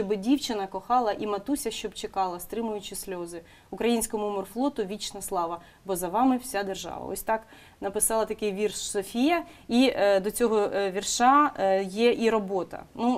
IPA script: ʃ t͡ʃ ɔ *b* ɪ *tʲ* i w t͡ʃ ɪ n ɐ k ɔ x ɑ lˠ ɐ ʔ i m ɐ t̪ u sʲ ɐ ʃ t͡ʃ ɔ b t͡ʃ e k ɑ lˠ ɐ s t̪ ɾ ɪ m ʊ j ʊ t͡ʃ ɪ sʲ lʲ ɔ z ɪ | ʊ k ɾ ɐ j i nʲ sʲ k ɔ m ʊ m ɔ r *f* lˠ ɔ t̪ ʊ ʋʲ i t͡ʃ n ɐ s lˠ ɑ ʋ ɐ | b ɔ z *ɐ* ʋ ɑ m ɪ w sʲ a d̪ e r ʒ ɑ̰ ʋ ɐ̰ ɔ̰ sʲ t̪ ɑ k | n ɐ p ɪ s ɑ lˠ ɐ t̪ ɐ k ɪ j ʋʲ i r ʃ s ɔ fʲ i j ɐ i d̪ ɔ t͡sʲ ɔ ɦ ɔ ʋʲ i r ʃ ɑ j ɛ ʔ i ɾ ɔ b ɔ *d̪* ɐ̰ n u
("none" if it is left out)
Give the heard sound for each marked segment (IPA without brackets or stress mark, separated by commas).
b, dʲ, f, ɐ, t̪